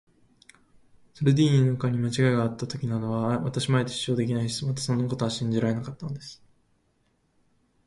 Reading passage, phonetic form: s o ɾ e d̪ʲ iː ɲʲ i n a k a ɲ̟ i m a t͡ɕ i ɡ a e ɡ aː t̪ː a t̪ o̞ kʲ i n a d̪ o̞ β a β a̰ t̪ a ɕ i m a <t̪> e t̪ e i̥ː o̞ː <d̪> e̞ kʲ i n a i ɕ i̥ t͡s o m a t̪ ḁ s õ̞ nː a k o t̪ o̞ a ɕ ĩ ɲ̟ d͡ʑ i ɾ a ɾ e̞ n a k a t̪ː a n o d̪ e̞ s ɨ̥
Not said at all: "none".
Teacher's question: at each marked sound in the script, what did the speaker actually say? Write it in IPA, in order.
none, d̪

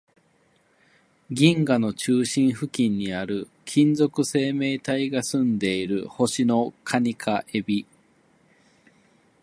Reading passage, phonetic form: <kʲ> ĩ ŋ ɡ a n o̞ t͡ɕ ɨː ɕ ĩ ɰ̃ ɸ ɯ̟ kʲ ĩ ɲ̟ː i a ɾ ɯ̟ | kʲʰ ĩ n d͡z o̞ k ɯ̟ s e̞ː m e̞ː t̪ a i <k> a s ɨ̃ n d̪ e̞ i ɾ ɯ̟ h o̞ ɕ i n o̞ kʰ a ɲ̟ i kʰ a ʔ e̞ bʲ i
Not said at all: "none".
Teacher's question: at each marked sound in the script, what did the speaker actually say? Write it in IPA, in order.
ɡʲ, ɡ

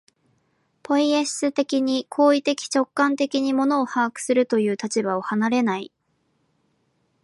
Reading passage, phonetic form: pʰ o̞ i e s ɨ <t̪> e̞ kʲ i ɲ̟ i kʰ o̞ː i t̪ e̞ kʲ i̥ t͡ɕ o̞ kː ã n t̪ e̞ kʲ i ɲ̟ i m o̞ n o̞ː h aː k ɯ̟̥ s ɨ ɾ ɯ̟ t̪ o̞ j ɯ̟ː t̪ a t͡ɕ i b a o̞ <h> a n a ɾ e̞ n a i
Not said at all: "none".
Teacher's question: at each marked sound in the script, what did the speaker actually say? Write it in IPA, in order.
t̪, h

